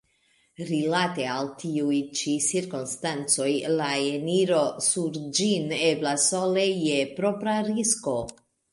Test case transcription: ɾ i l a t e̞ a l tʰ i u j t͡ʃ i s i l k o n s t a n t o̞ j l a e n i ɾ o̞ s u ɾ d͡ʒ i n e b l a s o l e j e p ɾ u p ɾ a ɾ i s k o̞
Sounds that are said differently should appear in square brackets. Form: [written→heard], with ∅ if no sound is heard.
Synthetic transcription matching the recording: ɾ i l a t e̞ a l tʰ i u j t͡ʃ i s i [l→ɾ] k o n s t a n [t→t͡s] o̞ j l a e n i ɾ o̞ s u ɾ d͡ʒ i n e b l a s o l e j e p ɾ [u→o] p ɾ a ɾ i s k o̞